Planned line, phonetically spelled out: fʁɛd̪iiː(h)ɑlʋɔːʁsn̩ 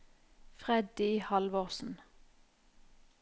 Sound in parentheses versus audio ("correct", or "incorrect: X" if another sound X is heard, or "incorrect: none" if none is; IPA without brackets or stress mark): correct